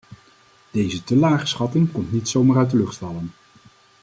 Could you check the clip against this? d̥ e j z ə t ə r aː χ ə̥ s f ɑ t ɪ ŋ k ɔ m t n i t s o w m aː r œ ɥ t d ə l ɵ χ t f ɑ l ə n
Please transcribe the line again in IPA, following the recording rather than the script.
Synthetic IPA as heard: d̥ e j z ə t ə l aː χ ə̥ s χ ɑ t ɪ ŋ k ɔ m t n i t s o w m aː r œ ɥ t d ə l ɵ χ t f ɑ l ə n